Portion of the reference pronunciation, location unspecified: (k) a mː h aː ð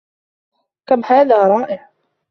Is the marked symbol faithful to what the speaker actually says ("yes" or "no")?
yes